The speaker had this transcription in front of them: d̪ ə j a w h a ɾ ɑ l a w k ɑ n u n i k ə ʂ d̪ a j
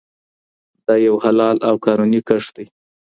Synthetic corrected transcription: d̪ ɑ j a w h a l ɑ l a w k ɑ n u n i k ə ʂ d̪ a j